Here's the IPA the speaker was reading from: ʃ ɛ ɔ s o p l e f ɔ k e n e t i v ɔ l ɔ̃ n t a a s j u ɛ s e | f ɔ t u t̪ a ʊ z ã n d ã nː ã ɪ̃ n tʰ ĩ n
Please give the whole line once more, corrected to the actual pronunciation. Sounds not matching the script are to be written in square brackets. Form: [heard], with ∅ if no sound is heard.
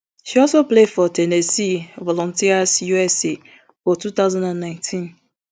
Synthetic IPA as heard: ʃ [i] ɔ s o p l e f ɔ [t] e n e [s] i v ɔ l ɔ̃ n t [i] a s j u ɛ s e | f ɔ t u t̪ a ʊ z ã n d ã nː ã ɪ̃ n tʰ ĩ n